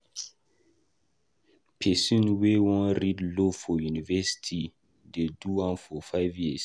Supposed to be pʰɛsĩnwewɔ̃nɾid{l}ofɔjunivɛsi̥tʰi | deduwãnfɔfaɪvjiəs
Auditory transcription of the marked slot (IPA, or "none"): l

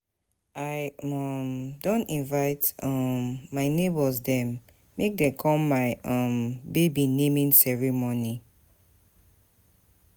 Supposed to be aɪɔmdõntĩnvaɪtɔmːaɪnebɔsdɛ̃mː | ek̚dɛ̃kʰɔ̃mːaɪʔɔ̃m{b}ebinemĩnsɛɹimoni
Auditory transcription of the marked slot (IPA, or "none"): b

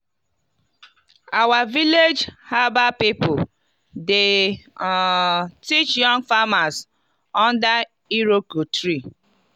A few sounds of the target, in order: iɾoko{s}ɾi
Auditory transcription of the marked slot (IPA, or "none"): t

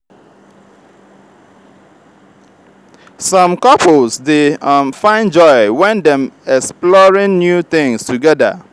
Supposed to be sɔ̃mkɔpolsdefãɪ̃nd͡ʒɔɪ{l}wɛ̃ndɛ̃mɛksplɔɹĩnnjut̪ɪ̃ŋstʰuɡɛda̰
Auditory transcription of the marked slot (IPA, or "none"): none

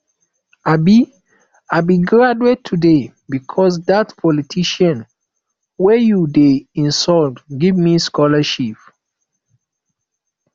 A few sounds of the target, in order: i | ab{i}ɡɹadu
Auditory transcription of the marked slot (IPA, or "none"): i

